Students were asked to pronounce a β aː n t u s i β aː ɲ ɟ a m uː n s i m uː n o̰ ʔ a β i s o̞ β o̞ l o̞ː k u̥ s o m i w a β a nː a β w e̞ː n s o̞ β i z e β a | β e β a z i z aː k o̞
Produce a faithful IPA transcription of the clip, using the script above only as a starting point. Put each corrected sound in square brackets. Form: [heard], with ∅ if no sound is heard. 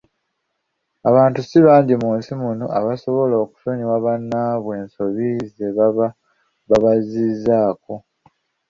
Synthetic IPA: a β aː n t u s i β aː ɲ ɟ [i] m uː n s i m [u] n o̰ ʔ a β [a] s o̞ β o̞ l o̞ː k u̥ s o [ɲ] i w a β a nː a β w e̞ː n s o̞ β i z e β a | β [a] β a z i z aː k o̞

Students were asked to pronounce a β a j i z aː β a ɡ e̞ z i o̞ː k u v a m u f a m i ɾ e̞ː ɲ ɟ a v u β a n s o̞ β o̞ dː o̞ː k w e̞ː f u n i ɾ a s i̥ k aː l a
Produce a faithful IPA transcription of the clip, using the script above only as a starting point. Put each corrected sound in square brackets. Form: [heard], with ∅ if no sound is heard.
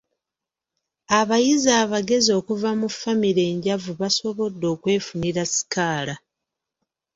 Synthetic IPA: a β a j i z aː β a ɡ e̞ z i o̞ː k u v a m u f a m i ɾ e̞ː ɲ ɟ a v u β a [∅] s o̞ β o̞ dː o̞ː k w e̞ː f u n i ɾ a s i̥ k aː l a

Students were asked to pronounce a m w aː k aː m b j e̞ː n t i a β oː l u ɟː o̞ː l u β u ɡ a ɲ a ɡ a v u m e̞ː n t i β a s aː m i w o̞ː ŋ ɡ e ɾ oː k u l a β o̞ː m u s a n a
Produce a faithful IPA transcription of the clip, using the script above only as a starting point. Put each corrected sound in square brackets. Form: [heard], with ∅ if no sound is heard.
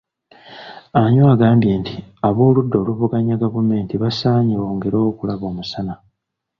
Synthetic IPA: a [ɲ] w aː [ɡ] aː m b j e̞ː n t i a β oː l u [dː] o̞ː l u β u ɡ a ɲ a ɡ a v u m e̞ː n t i β a s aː [ɲ] i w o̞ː ŋ ɡ e ɾ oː k u l a β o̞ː m u s a n a

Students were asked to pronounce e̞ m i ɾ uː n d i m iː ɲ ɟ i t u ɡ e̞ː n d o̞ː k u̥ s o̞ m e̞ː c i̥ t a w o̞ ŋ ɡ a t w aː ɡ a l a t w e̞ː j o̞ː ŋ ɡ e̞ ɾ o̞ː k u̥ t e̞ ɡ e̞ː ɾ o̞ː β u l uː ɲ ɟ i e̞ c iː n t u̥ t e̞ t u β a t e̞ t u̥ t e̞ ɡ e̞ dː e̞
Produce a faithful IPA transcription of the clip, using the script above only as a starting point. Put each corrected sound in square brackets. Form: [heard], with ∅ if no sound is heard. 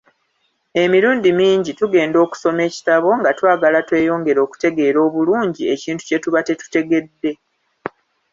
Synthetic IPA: e̞ m i ɾ uː n d i m iː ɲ ɟ i t u ɡ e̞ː n d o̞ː k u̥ s o̞ m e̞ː c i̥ t a [β] o̞ ŋ ɡ a t w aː ɡ a l a t w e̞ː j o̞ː ŋ ɡ e̞ ɾ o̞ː k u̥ t e̞ ɡ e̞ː ɾ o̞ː β u l uː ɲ ɟ i e̞ c iː n t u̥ [c] e̞ t u β a t e̞ t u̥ t e̞ ɡ e̞ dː e̞

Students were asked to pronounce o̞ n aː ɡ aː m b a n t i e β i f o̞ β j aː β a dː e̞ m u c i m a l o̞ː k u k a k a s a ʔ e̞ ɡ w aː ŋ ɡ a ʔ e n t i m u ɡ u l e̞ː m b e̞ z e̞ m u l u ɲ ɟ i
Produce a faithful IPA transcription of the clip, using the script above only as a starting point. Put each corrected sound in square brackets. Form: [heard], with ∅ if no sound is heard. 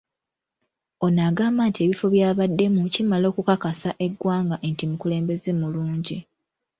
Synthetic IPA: o̞ n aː ɡ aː m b a n t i e β i f o̞ β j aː β a dː e̞ m u c i m a l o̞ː k u k a k a s a ʔ e̞ ɡ w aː ŋ ɡ a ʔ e n t i m u [k] u l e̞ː m b e̞ z e̞ m u l [uː] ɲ ɟ i

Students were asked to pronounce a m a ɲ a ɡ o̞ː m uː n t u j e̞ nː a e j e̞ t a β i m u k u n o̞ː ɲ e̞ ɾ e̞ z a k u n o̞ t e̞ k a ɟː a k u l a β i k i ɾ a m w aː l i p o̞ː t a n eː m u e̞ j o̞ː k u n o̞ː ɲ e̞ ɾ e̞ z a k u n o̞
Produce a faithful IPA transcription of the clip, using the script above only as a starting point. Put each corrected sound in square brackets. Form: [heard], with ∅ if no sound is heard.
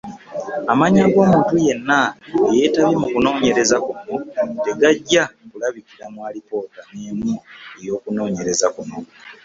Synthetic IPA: a m a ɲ a ɡ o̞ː m uː n t u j e̞ nː a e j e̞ t a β i m u k u n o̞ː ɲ e̞ ɾ e̞ z a k u n o̞ t e̞ [ɡ] a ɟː a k u l a β i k i ɾ a m w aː l i p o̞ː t a n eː m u e̞ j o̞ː k u n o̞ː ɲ e̞ ɾ e̞ z a k u n o̞

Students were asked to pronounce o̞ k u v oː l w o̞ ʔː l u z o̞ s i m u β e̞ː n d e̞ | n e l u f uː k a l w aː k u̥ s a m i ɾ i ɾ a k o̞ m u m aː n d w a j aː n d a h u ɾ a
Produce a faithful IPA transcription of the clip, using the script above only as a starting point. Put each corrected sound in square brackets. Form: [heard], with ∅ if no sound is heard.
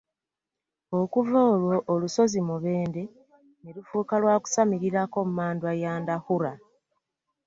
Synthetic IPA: o̞ k u v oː l w o̞ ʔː l u [s] o̞ [z] i m u β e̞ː n d e̞ | n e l u f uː k a l w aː k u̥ s a m i ɾ i ɾ a k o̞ m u m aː n d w a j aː n d a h u ɾ a

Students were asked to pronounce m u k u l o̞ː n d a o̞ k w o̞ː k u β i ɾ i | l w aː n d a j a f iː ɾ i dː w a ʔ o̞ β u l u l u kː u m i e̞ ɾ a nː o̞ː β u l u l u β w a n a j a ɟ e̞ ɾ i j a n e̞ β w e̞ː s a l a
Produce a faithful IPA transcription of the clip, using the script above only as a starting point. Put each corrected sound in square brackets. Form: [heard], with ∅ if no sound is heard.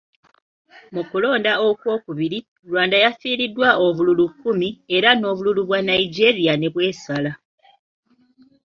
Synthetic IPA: m u k u l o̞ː n d a o̞ k w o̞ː k u β i ɾ i | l w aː n d a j a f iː ɾ i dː w a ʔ o̞ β u l u l u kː u m i e̞ ɾ a [n] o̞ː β u l u l u β w a n a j [i] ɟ e̞ ɾ i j a n e̞ β w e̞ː s a l a

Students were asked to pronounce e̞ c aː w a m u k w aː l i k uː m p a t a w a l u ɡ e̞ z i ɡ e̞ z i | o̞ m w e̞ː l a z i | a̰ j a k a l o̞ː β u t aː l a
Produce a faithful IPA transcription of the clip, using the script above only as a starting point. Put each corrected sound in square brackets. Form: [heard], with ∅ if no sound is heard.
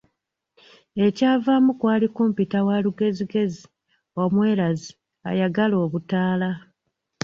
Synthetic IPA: e̞ c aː [v] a m u k w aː l i k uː m p [i] t a w a l u ɡ e̞ z i ɡ e̞ z i | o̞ m w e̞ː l a z i | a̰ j a [ɡ] a l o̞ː β u t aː l a

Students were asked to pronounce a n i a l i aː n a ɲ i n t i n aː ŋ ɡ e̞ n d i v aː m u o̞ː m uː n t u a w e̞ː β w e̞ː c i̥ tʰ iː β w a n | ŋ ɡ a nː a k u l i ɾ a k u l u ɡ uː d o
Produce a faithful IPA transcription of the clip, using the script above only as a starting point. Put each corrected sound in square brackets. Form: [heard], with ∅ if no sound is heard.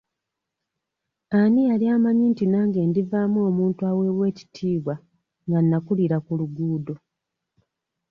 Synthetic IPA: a n i a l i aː [m] a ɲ i n t i n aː ŋ ɡ e̞ n d i v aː m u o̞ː m uː n t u a w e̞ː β w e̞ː c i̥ tʰ iː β w a [∅] | ŋ ɡ a nː a k u l i ɾ a k u l u ɡ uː d o

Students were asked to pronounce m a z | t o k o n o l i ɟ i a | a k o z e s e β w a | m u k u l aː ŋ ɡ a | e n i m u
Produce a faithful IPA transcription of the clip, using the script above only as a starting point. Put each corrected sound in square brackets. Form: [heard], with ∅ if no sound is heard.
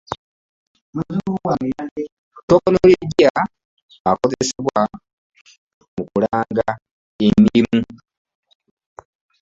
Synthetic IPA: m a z | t o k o n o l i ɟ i a | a k o z e s e β w a | m u k u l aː ŋ ɡ a | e n i m u

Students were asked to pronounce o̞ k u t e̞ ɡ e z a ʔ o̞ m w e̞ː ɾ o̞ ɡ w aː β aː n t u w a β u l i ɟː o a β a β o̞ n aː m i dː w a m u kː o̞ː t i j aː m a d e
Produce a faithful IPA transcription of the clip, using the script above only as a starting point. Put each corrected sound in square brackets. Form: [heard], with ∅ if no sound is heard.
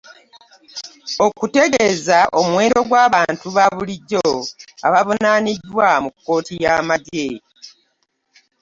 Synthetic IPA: o̞ k u t e̞ ɡ e z a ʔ o̞ m w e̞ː ɾ o̞ ɡ w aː β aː n t u [β] a β u l i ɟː o a β a β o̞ n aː [n] i dː w a m u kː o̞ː t i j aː m a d e

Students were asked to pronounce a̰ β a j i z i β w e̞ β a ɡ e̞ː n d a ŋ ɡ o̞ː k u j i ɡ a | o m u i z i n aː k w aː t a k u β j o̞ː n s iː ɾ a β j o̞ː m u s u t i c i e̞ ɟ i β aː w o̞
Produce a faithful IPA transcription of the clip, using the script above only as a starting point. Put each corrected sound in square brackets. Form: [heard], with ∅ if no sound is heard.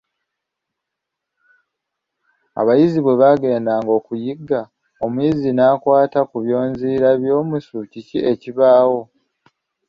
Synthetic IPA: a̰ β a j i z i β w e̞ β a ɡ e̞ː n d a ŋ ɡ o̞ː k u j i ɡ a | o m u i z i n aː k w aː t a k u β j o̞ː n [z] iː ɾ a β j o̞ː m u s u [c] i c i e̞ [c] i β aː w o̞

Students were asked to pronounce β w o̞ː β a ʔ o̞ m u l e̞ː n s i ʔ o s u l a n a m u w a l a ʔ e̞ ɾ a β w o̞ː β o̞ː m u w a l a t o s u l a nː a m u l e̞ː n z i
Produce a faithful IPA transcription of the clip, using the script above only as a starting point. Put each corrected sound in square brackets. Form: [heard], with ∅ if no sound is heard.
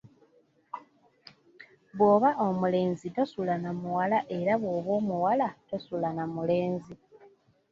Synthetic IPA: β w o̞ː β a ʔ o̞ m u l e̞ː n [z] i [t] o s u l a n a m u w a l a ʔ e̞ ɾ a β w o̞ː β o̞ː m u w a l a t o s u l a [n] a m u l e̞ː n z i

